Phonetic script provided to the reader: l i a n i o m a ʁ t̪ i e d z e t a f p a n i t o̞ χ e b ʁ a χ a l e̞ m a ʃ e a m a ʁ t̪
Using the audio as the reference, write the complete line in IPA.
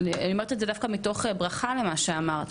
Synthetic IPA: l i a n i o m a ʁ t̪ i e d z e d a f k a m i t o̞ χ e b ʁ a χ a l e̞ m a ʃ e a m a ʁ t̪